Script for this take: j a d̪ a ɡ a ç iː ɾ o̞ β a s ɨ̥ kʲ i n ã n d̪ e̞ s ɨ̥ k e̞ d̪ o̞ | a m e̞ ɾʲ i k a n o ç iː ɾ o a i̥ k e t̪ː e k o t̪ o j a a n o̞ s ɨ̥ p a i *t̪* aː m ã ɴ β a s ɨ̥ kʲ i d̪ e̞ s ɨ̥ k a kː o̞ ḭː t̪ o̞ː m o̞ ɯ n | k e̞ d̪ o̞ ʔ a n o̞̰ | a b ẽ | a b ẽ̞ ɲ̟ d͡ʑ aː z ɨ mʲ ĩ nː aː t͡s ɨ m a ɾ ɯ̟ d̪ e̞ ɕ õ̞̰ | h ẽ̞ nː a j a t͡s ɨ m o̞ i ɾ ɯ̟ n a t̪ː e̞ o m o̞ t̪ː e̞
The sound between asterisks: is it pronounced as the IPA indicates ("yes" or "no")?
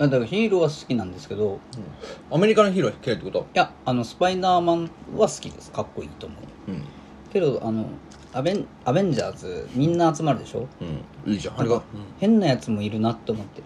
no